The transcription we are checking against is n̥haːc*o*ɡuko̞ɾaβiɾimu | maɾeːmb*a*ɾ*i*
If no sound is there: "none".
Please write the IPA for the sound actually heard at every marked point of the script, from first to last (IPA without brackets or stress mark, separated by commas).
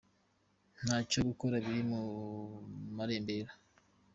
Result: o, e, a